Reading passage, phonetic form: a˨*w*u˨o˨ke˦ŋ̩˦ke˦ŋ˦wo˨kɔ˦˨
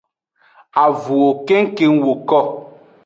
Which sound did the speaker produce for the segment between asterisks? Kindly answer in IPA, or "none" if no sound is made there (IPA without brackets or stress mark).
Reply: v